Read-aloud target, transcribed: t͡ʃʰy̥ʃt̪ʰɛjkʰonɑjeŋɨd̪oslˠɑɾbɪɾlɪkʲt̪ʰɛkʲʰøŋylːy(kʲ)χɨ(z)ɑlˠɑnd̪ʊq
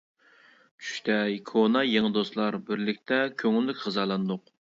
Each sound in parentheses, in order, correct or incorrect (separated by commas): correct, correct